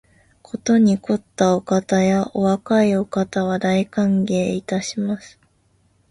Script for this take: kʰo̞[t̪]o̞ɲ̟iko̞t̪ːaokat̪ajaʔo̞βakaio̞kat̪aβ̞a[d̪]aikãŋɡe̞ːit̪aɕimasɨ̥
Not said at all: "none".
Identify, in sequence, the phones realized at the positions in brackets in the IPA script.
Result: t̪, d̪

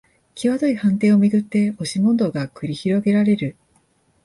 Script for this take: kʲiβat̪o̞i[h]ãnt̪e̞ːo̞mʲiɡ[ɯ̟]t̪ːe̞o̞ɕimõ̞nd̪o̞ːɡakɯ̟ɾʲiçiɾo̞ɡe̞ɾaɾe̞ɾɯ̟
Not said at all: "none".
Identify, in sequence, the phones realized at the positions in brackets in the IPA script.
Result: h, ɯ̟

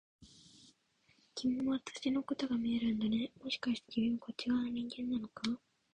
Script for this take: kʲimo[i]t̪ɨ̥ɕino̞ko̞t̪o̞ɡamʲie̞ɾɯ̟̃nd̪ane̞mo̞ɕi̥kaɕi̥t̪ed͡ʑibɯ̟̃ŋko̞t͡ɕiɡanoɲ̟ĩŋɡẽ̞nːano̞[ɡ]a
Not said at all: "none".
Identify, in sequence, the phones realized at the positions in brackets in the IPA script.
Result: a, k

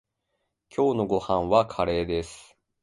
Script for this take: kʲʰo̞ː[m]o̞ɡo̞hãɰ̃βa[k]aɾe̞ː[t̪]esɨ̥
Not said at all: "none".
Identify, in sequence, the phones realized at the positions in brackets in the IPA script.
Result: n, kʰ, d̪

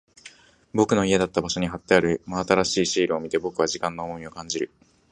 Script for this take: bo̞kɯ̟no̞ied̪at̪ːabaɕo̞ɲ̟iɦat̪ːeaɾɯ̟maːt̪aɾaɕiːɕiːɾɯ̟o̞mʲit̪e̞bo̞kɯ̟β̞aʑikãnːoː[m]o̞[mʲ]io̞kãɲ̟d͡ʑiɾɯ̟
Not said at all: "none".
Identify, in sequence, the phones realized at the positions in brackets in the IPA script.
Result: m, mʲ

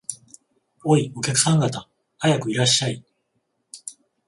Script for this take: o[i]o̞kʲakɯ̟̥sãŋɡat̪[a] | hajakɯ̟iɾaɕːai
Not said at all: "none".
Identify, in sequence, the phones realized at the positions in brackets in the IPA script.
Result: i, a

